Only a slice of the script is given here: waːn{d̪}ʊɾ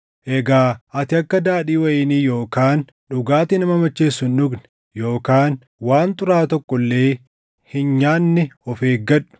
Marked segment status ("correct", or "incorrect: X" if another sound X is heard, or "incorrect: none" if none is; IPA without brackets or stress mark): incorrect: t̪